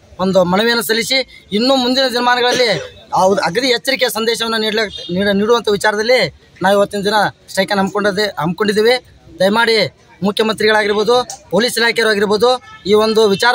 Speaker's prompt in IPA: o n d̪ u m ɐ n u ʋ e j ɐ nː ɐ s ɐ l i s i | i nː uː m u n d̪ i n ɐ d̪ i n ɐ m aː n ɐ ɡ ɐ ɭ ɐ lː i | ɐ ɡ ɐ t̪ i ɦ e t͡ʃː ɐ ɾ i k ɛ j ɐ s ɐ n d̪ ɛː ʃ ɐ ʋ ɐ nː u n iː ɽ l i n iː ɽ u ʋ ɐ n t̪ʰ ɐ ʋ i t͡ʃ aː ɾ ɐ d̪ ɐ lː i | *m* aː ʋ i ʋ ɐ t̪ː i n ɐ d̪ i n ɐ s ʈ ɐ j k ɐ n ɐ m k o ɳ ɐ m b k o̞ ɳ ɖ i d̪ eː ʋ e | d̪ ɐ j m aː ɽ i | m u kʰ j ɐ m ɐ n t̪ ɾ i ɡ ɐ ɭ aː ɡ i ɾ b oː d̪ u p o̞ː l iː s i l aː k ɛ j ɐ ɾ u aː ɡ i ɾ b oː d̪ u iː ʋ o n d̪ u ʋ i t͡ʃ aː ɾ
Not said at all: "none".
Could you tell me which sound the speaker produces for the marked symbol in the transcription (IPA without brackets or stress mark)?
n